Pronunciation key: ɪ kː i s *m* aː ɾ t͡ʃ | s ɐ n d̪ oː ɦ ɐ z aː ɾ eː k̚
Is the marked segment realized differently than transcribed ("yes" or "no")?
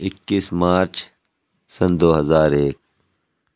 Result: no